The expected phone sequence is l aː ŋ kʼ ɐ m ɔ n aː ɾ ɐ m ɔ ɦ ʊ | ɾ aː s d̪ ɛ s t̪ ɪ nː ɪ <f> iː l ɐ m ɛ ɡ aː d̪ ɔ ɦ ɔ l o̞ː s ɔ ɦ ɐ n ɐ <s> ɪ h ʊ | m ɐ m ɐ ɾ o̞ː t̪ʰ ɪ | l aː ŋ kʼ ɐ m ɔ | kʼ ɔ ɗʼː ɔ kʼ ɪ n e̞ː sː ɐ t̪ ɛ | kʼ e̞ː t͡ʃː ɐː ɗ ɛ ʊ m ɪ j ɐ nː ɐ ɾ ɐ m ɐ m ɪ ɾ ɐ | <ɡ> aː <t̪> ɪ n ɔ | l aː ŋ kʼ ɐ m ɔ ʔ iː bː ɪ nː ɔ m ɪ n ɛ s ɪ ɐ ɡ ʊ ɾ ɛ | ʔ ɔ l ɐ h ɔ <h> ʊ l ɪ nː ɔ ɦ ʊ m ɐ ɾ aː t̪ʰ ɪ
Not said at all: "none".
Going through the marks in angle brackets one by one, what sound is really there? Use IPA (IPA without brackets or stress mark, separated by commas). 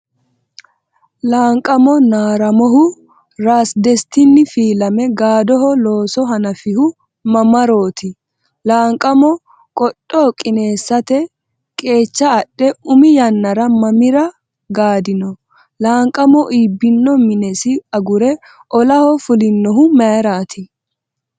f, f, ɡ, d̪, f